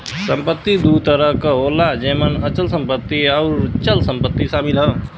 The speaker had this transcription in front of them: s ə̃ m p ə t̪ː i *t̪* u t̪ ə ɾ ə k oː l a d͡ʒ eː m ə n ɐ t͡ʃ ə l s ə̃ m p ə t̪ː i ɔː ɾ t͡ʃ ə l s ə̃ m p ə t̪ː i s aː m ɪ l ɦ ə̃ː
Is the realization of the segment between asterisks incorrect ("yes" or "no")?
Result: yes